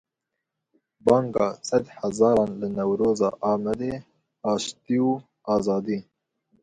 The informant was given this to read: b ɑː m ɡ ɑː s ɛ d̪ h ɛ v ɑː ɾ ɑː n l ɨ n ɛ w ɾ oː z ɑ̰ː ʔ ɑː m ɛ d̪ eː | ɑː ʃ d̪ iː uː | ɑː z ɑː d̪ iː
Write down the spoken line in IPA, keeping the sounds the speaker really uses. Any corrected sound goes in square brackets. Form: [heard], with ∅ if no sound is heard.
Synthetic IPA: b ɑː [ŋ] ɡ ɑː s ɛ d̪ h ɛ [z] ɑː ɾ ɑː n l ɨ n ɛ w ɾ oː z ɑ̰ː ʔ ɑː m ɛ d̪ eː | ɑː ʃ [t̪] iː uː | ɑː z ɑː d̪ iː